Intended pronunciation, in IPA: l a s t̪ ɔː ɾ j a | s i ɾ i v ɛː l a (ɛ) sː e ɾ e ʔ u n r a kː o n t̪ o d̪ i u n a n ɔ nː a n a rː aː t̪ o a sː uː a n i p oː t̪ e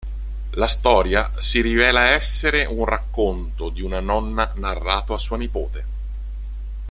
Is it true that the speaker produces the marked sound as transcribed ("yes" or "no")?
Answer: yes